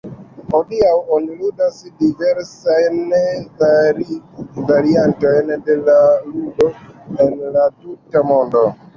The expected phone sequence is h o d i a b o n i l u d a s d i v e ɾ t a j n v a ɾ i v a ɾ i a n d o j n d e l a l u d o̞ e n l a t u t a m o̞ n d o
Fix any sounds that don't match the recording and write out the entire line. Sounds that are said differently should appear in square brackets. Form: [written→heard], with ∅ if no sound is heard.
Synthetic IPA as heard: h o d i a [b→w] o n i l u d a s d i v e ɾ [t→s] a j n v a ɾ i v a ɾ i a n [d→t] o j n d e l a l u d o̞ e n l a t u t a m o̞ n d o